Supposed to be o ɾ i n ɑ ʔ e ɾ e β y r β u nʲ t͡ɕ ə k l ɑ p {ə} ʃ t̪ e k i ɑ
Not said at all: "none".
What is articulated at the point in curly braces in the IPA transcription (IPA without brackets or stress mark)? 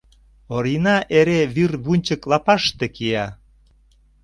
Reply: ɑ